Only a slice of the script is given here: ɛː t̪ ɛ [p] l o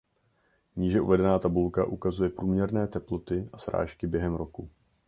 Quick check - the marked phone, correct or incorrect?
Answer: correct